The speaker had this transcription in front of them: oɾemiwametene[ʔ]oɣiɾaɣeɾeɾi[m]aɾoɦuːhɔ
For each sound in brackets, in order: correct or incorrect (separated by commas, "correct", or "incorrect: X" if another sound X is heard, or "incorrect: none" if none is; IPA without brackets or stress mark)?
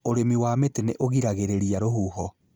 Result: correct, incorrect: none